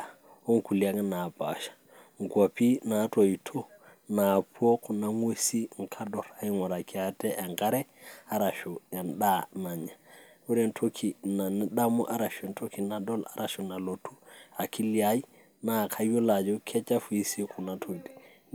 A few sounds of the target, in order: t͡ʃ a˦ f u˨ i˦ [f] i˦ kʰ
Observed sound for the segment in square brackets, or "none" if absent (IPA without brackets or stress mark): s